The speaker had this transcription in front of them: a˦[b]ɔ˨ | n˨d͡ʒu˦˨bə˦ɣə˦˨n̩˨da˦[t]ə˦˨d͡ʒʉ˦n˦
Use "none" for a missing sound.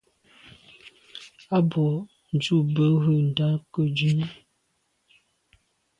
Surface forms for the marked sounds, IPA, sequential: b, k

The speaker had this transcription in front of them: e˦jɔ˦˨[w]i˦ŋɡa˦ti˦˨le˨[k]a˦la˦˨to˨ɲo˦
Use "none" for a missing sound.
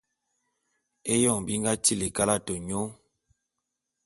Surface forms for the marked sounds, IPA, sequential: b, k

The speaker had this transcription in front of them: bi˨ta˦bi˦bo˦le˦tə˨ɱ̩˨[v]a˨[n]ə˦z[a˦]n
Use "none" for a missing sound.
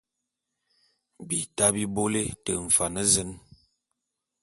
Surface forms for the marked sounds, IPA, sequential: f, n, ə˦

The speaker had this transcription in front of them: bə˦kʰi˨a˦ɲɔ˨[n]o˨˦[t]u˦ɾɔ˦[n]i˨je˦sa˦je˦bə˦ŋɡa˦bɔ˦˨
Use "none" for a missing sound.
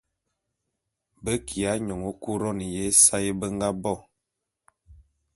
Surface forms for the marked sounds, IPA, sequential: ŋ, k, n

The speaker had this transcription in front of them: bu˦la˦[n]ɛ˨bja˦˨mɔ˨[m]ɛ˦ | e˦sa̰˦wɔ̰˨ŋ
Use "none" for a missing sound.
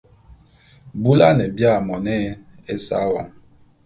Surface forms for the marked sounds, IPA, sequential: n, n

